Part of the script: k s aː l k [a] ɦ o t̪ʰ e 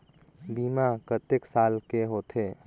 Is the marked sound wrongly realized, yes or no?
yes